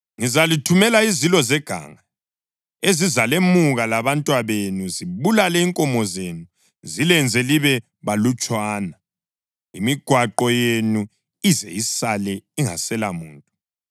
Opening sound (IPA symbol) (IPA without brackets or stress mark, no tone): ŋ